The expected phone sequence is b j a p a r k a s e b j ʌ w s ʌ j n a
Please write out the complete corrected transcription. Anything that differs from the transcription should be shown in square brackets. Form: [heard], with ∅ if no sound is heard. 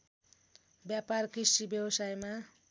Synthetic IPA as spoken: b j a p a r k [i] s [i] b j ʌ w s [a] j [m] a